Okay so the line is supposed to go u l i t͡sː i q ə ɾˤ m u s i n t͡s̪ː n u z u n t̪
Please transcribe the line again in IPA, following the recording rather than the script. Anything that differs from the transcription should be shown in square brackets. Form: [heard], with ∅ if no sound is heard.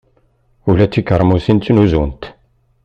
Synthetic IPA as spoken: u l [æ] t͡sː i [k] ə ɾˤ m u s i n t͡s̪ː n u z u n t̪